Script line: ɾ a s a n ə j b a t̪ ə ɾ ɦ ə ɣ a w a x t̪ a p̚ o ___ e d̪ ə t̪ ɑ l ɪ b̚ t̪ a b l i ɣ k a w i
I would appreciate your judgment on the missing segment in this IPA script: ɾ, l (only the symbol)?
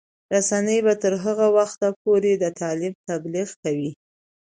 ɾ